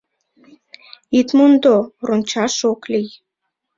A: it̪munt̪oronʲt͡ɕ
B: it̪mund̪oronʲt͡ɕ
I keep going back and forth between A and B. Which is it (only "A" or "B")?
B